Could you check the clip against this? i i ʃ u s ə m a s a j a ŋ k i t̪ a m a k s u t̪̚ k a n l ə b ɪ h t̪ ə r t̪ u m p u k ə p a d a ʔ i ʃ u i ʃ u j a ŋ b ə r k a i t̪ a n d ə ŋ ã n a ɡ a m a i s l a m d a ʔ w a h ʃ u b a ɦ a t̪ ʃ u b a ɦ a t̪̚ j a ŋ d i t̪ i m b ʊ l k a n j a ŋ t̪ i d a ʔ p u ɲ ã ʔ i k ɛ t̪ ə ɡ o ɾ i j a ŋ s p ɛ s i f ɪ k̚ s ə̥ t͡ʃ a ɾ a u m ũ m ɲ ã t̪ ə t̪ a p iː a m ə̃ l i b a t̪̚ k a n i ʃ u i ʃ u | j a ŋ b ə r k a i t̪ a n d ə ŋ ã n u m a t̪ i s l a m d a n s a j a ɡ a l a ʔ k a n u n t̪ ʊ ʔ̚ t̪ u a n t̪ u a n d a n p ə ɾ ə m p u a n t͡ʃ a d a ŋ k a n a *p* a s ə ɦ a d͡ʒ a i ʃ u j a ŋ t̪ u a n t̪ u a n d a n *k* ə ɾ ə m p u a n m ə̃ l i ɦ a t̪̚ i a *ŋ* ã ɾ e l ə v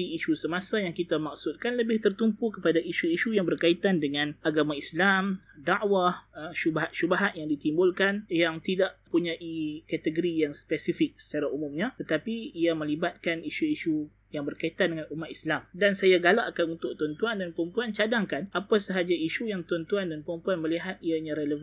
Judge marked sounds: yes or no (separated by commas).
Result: yes, no, no